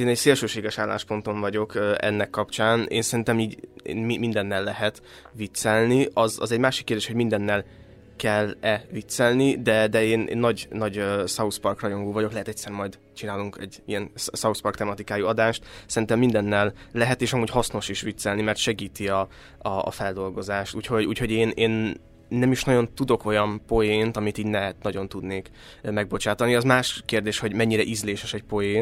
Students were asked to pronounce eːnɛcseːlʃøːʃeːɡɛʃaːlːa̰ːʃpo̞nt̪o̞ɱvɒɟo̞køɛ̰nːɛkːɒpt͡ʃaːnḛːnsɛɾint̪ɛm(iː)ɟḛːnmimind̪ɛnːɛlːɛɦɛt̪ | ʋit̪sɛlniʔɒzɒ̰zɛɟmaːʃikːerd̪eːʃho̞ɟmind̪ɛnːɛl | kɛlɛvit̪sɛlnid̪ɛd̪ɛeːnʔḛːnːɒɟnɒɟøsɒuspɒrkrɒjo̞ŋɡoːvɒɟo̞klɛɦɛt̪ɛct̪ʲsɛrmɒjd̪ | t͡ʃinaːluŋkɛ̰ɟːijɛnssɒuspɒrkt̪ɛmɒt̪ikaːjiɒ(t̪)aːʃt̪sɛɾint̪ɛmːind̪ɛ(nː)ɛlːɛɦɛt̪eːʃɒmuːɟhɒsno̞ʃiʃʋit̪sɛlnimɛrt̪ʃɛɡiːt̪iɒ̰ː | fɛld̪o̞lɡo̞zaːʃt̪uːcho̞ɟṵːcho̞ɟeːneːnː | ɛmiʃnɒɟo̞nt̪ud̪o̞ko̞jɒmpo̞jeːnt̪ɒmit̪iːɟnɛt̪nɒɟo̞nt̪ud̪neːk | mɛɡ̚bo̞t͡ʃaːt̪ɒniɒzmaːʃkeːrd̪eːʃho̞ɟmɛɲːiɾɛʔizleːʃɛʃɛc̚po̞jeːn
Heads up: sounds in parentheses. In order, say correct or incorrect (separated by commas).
correct, incorrect, correct